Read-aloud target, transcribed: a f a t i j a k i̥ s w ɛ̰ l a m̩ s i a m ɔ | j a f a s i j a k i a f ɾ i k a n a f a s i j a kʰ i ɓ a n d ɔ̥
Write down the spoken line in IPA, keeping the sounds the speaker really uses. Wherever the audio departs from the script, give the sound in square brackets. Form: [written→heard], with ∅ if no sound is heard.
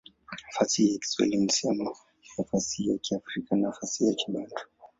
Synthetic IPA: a f a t i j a k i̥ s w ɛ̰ l [a→i] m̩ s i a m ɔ | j a f a s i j a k i a f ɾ i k a n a f a s i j a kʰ i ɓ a n d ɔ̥